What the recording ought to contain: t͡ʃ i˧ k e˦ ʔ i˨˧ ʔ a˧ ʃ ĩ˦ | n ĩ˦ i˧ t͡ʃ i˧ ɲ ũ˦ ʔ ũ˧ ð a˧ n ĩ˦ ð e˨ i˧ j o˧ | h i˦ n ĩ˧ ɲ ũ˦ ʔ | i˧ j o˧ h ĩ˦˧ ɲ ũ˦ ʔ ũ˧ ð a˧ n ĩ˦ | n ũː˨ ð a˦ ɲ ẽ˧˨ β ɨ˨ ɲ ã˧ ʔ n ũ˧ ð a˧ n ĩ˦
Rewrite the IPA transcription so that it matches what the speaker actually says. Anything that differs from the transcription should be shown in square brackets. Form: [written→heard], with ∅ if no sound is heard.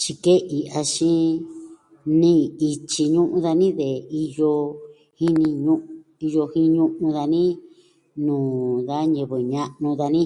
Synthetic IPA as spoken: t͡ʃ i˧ k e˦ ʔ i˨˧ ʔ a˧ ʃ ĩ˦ | n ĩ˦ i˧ t͡ʃ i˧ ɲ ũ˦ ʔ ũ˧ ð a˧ n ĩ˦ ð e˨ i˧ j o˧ | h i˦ n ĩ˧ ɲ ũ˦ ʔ | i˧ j o˧ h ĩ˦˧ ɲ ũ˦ ʔ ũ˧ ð a˧ n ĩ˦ | n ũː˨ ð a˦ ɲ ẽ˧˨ β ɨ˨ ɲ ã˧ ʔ n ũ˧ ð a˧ n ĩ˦